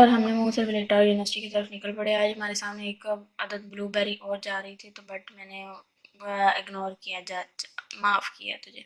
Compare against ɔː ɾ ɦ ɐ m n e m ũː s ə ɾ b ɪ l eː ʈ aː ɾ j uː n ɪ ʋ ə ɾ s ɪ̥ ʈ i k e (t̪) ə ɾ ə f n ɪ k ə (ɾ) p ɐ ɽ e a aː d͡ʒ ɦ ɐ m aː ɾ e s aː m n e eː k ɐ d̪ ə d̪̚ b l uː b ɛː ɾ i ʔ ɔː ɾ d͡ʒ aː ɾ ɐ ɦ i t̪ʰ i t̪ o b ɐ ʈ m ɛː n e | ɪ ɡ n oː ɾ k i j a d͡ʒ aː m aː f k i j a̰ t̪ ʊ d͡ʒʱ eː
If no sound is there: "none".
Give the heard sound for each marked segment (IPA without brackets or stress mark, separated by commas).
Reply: t̪, l